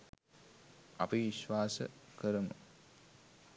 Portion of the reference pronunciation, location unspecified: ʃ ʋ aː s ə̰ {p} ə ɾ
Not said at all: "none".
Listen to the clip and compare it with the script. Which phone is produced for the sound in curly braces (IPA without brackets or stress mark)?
k